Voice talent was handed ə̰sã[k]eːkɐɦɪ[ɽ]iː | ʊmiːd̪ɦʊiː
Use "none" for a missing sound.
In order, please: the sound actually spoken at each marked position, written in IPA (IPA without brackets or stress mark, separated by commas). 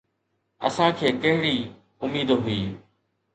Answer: kʰ, ɽ